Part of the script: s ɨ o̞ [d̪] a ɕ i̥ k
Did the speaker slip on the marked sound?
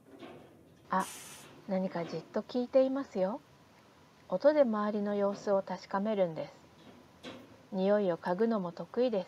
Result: yes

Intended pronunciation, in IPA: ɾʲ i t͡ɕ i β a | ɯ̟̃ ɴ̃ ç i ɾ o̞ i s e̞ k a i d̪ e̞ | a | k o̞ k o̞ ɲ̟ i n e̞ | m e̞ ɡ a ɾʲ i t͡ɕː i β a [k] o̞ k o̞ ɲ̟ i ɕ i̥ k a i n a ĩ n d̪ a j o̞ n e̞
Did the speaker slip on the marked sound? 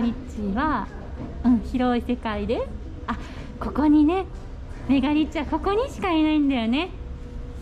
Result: no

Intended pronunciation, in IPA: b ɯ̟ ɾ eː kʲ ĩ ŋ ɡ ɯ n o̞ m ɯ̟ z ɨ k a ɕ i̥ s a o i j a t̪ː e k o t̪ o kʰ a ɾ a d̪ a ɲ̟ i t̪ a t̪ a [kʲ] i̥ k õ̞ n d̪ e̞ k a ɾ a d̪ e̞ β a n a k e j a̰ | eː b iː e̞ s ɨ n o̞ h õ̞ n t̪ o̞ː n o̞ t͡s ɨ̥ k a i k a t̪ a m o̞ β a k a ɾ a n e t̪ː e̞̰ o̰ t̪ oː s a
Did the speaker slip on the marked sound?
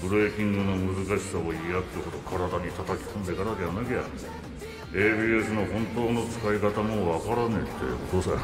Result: no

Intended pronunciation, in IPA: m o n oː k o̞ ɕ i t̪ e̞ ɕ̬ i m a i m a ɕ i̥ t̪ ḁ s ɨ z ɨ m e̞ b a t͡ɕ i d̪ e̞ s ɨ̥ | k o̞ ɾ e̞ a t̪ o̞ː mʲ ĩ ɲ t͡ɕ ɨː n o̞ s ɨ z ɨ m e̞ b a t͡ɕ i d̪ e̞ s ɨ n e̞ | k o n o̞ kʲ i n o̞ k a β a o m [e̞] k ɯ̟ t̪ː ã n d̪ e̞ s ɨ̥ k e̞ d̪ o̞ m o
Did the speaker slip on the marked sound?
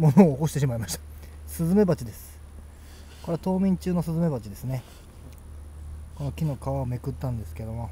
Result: no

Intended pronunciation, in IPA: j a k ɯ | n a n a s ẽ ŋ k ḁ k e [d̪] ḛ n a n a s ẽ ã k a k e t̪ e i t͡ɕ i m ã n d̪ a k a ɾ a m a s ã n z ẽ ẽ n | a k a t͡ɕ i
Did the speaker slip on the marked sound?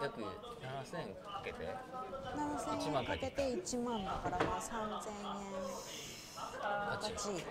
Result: yes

